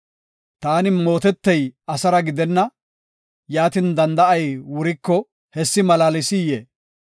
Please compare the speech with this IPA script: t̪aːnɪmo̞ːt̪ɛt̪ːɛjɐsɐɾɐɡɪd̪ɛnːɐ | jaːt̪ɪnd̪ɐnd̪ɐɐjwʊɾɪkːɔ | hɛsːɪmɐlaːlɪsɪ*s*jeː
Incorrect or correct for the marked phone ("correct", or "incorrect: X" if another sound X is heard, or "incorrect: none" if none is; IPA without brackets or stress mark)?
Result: incorrect: none